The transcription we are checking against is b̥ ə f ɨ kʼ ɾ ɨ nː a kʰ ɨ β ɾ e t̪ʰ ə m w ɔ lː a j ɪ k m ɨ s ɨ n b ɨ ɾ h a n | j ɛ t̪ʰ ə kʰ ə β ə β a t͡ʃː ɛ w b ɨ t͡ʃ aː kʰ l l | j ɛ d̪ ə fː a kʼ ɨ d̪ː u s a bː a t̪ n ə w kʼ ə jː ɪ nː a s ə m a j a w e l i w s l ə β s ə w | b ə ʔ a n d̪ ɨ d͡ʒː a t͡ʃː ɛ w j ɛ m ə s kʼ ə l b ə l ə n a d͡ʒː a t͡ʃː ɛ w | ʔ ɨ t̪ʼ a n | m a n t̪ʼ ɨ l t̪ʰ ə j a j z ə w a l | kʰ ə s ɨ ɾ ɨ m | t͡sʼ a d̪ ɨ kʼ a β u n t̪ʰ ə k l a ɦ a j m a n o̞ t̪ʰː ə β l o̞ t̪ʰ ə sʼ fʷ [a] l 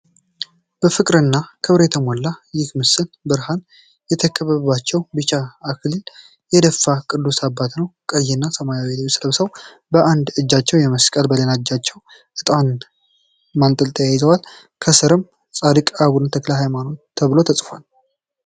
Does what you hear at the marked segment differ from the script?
no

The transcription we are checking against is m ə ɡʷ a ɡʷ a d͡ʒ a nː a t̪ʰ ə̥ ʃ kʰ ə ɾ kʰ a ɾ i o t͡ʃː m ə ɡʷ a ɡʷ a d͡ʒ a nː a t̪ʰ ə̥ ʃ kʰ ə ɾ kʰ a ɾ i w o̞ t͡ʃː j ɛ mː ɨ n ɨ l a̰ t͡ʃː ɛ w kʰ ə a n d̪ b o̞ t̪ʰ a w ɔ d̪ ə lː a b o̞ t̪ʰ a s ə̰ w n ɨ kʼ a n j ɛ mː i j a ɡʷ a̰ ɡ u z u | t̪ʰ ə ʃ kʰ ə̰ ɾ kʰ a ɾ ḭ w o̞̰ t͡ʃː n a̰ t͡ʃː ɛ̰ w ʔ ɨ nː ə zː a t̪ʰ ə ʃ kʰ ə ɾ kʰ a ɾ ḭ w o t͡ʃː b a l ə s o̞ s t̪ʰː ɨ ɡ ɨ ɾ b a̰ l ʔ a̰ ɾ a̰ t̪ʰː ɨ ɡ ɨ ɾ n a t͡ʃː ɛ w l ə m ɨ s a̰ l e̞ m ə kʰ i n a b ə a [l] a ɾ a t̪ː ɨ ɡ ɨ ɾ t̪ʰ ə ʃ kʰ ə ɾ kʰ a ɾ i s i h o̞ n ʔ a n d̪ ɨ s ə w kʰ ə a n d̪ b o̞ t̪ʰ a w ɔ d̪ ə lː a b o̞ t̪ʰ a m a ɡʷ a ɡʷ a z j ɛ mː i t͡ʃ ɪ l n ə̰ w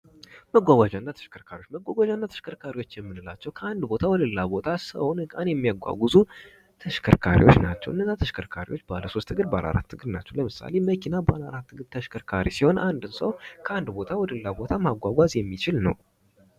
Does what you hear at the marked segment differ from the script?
no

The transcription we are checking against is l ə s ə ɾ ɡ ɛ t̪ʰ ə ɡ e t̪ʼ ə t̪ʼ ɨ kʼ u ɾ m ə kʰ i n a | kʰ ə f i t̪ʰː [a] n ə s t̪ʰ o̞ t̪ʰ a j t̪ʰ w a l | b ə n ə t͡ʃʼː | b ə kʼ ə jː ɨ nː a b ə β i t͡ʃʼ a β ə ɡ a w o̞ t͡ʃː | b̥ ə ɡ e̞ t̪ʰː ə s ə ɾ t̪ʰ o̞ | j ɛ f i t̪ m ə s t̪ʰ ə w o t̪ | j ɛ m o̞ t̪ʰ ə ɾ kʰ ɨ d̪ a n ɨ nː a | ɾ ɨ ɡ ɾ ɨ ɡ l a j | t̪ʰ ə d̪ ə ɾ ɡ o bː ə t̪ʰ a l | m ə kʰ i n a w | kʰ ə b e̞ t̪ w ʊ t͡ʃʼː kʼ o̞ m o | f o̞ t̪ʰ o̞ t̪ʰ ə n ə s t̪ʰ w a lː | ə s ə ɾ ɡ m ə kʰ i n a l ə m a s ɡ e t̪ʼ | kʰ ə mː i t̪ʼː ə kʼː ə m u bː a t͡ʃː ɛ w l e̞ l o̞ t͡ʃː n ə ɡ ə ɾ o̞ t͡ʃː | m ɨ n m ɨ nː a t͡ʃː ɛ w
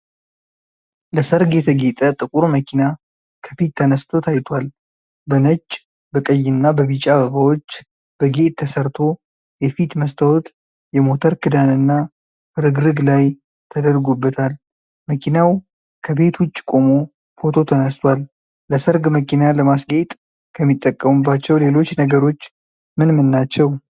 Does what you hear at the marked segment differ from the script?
yes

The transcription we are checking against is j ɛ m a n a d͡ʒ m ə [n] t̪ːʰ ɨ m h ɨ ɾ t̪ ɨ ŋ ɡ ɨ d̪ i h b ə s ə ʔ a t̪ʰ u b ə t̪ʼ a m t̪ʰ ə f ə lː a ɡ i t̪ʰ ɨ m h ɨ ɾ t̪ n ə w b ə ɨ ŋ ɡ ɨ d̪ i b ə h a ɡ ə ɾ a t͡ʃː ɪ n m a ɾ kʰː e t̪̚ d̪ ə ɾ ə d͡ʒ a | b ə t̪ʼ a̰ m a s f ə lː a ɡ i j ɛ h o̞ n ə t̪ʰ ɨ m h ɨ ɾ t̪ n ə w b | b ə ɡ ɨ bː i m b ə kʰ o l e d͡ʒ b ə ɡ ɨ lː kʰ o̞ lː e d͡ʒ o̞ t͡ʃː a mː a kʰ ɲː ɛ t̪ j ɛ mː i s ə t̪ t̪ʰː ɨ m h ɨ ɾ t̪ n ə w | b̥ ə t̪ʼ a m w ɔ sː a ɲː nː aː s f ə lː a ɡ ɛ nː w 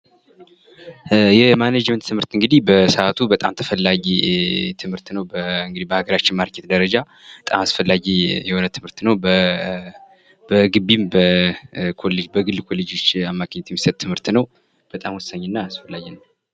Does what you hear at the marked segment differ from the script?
no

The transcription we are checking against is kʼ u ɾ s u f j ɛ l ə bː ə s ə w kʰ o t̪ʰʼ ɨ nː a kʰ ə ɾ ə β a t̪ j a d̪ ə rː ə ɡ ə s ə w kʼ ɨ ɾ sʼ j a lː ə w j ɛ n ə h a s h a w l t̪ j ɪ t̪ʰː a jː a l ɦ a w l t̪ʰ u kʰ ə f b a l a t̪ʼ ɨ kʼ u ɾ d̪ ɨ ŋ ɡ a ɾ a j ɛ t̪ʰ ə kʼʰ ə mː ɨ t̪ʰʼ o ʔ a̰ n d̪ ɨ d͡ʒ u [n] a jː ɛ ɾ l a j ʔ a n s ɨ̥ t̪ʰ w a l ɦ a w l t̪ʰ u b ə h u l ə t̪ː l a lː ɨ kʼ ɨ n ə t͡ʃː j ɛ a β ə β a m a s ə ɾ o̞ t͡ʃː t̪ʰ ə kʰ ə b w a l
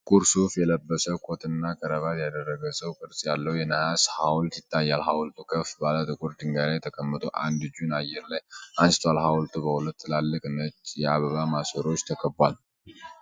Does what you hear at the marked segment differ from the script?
no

